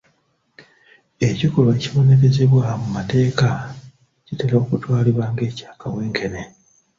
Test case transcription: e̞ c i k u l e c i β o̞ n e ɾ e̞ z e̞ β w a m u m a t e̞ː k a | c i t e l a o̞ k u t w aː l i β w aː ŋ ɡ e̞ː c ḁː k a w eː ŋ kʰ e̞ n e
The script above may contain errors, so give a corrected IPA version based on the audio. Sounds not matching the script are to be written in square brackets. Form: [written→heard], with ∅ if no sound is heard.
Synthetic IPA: e̞ c i k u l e c i β o̞ n e ɾ e̞ z e̞ β w a m u m a t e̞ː k a | c i t e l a o̞ k u t w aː l i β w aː ŋ ɡ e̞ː c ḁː k a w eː ŋ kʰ e̞ n e